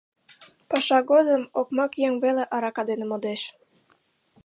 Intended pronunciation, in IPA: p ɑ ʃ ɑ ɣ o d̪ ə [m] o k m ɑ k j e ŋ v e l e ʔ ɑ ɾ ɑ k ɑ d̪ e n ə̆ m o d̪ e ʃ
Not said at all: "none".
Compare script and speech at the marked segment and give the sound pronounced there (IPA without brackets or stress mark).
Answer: m